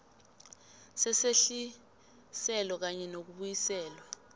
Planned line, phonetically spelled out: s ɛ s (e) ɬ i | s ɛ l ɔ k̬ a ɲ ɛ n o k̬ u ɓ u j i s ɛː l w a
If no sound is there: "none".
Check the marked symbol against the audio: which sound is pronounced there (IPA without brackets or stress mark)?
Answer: e